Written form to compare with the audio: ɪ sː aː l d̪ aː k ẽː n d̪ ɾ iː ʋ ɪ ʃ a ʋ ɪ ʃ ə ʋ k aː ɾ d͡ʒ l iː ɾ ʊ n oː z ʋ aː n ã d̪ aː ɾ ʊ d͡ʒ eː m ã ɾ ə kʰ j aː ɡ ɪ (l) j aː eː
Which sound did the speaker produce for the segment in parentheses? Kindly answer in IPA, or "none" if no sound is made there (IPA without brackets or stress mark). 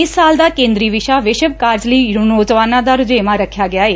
none